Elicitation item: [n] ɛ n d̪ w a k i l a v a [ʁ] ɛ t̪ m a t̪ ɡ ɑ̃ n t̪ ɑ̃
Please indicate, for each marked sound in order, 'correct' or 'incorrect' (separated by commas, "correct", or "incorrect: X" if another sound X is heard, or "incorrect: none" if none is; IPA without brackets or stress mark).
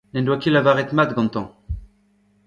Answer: correct, correct